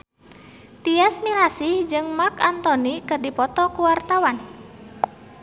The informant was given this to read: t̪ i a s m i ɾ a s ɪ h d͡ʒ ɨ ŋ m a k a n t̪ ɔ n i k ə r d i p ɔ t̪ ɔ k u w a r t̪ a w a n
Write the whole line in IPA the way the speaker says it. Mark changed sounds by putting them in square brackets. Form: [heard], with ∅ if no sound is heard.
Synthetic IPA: t̪ i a s m i ɾ a s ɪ h d͡ʒ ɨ ŋ m a k a n t̪ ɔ n i k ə r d i p ɔ t̪ ɔ k u w a r t̪ a w a n